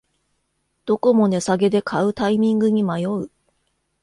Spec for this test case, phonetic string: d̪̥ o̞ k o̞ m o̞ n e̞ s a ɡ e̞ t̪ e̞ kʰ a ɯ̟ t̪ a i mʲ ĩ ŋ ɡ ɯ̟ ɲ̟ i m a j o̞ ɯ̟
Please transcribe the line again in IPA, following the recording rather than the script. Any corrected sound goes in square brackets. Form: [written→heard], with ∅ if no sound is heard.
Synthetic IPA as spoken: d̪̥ o̞ k o̞ m o̞ n e̞ s a ɡ e̞ [t̪→d̪] e̞ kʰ a ɯ̟ t̪ a i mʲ ĩ ŋ ɡ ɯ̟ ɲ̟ i m a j o̞ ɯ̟